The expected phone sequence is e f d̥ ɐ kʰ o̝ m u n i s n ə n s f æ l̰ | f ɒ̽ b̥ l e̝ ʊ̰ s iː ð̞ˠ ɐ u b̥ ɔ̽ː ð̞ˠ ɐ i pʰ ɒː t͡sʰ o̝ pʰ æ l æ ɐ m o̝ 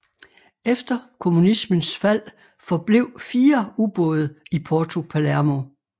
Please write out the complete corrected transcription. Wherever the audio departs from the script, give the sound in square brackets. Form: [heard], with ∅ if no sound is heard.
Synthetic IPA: e f d̥ ɐ kʰ o̝ m u n i s [m] ə n s f æ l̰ | f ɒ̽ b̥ l e̝ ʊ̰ [f] iː [∅] ɐ u b̥ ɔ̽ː ð̞ˠ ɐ i pʰ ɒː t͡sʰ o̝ pʰ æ l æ ɐ m o̝